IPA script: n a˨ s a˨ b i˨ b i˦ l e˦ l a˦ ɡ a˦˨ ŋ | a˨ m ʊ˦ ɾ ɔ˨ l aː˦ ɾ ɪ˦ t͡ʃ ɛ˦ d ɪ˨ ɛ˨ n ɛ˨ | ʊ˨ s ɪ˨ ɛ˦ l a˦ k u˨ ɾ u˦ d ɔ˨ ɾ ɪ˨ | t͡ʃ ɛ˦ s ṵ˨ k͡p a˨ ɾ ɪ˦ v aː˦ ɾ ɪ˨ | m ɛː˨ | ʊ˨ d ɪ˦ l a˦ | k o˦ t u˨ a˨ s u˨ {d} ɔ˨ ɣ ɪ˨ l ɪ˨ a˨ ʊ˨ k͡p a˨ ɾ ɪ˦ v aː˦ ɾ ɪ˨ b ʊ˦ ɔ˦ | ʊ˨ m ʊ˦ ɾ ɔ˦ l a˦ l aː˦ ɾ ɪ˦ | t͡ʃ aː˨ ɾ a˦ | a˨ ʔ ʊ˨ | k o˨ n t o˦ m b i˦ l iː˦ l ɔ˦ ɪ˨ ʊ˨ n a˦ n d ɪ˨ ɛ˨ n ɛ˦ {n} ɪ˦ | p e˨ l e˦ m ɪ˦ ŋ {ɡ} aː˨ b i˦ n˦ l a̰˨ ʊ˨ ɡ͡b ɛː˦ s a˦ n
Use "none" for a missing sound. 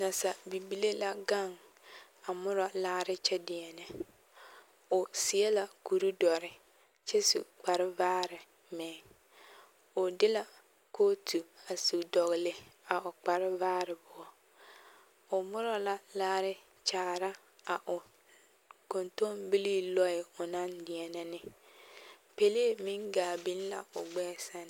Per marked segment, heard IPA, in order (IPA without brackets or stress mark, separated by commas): d, n, ɡ